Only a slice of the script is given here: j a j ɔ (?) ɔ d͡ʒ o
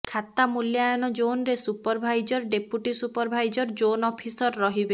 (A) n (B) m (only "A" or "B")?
A